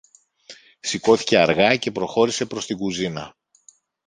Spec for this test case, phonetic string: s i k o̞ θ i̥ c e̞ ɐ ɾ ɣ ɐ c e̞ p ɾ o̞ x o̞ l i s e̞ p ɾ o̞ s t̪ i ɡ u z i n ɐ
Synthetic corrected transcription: s i k o̞ θ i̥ c e̞ ɐ ɾ ɣ ɐ c e̞ p ɾ o̞ x o̞ ɾ i s e̞ p ɾ o̞ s t̪ i ɡ u z i n ɐ